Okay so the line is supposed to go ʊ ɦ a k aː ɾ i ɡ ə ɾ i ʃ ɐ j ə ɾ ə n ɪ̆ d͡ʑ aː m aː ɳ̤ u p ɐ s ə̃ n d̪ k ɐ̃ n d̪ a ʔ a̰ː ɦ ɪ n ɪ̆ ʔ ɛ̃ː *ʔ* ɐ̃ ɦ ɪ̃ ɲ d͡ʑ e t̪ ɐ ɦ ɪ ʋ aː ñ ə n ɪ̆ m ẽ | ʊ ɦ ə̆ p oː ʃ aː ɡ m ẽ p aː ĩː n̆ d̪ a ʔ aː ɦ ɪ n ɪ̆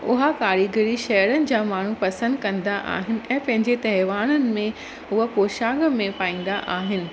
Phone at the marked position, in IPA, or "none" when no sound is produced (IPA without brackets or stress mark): p